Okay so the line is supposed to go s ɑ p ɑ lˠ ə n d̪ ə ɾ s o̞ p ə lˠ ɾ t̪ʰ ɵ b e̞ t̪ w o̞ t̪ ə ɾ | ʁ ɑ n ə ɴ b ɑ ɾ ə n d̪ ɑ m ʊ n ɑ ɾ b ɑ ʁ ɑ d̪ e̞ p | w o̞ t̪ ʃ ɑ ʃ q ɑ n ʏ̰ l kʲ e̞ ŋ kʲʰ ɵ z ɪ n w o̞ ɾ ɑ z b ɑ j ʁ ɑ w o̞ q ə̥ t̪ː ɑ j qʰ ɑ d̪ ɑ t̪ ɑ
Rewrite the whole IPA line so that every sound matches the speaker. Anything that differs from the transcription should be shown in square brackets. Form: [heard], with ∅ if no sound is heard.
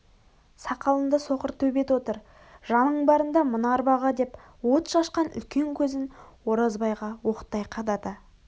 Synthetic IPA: s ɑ [q] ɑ lˠ ə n d̪ ə [∅] s o̞ [q] ə [∅] ɾ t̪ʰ ɵ b e̞ t̪ w o̞ t̪ ə ɾ | [ʒ] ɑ n ə ɴ b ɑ ɾ ə n d̪ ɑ m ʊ n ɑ ɾ b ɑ ʁ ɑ d̪ e̞ p | w o̞ t̪ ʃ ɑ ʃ q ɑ n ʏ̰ l kʲ e̞ ŋ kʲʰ ɵ z ɪ n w o̞ ɾ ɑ z b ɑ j ʁ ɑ w o̞ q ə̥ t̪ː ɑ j qʰ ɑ d̪ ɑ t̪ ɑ